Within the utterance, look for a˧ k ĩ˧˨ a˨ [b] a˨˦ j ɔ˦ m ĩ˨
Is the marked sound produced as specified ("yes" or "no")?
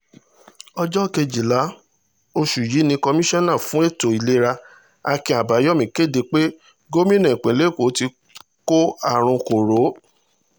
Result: yes